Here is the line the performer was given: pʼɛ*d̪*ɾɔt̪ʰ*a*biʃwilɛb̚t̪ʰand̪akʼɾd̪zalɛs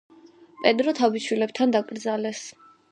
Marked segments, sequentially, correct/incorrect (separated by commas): correct, correct